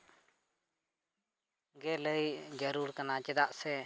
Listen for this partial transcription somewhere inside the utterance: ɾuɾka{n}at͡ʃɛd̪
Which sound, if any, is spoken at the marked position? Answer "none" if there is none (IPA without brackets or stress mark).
n